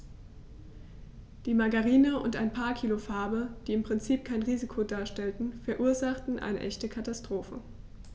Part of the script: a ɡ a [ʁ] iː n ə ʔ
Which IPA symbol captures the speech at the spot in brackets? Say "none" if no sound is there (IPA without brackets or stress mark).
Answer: ʁ